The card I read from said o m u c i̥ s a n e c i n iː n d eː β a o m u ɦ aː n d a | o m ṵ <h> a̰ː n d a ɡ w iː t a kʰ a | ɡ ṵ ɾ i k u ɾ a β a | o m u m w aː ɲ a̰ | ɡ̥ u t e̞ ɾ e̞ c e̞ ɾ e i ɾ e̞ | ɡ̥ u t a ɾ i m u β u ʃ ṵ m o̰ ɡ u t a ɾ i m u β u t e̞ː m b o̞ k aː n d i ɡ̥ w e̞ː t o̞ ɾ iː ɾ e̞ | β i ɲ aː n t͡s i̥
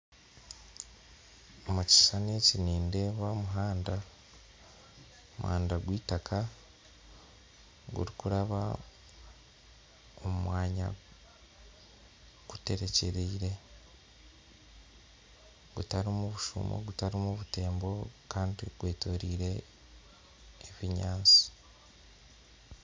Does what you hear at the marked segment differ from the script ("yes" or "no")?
no